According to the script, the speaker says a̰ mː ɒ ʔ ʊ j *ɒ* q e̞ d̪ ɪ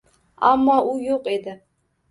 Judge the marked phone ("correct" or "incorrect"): incorrect